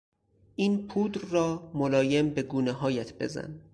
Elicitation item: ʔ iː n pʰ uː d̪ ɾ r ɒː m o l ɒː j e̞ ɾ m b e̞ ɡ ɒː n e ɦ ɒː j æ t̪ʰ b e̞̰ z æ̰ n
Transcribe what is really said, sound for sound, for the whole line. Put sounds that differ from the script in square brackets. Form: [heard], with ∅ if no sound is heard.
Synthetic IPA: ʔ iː n pʰ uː d̪ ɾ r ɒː m o l ɒː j e̞ [∅] m b e̞ ɡ [uː] n e ɦ ɒː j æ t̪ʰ b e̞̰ z æ̰ n